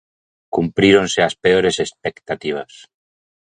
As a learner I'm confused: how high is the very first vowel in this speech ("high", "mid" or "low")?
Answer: high